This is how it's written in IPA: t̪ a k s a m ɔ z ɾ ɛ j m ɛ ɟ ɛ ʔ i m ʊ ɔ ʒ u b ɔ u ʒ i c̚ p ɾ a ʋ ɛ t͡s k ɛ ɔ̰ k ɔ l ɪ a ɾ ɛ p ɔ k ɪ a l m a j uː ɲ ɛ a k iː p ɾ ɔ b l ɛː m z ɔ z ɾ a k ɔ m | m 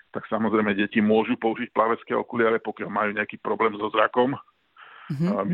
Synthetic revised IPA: t̪ a k s a m ɔ z ɾ ɛ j m ɛ ɟ ɛ c i m ʊ ɔ ʒ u p ɔ u ʒ i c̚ p l a ʋ ɛ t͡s k ɛ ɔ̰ k u l ɪ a ɾ ɛ p ɔ k ɪ a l m a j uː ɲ ɛ a k iː p ɾ ɔ b l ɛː m z ɔ z ɾ a k ɔ m | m